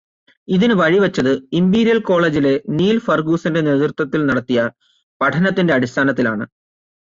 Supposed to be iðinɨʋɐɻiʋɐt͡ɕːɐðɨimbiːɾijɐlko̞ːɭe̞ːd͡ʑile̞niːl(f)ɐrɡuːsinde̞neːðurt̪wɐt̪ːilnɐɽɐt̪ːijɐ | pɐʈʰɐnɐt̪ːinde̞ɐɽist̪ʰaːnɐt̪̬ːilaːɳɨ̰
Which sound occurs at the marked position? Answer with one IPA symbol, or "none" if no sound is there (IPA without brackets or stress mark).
f